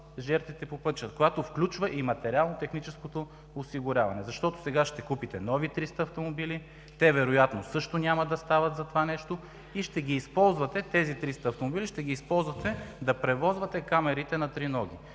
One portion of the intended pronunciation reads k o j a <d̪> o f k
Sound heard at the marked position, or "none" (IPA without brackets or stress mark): t̪